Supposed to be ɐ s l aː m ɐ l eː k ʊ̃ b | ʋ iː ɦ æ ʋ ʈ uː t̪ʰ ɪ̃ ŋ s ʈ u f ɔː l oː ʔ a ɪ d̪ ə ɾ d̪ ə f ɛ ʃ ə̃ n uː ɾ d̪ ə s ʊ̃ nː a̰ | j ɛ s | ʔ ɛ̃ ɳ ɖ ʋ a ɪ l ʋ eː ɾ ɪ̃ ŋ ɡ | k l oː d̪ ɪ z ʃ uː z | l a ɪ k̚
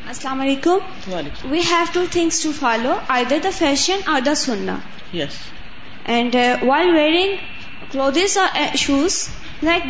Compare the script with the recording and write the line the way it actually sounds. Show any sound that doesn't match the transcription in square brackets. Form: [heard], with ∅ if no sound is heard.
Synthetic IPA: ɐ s l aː m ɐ l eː k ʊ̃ [m] | ʋ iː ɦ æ ʋ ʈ uː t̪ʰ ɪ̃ ŋ s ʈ u f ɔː l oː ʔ a ɪ d̪ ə ɾ d̪ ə f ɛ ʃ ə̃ n [ɔː] ɾ d̪ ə s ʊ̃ nː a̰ | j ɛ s | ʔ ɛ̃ ɳ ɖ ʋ a ɪ l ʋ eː ɾ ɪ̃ ŋ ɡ | k l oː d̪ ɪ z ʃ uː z | l a ɪ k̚